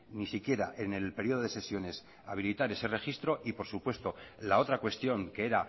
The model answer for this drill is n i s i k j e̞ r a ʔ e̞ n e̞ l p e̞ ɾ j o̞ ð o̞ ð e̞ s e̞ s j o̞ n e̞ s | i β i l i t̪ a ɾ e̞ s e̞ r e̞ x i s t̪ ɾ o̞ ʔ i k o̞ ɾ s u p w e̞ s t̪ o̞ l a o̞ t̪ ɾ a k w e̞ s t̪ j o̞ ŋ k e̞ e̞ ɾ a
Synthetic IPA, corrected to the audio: n i s i k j e̞ ɾ a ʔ e̞ n e̞ l p e̞ ɾ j o̞ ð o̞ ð e̞ s e̞ s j o̞ n e̞ s | a β i l i t̪ a ɾ e̞ s e̞ r e̞ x i s t̪ ɾ o̞ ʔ i p o̞ ɾ s u p w e̞ s t̪ o̞ l a o̞ t̪ ɾ a k w e̞ s t̪ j o̞ ŋ k e̞ e̞ ɾ a